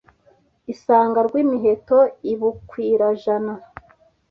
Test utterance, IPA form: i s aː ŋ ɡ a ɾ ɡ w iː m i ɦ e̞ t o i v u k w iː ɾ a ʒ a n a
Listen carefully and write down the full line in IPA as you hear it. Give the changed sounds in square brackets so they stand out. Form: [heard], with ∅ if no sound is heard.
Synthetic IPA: i s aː ŋ ɡ a ɾ ɡ w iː m i ɦ e̞ t o i [β] u k w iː ɾ a ʒ a n a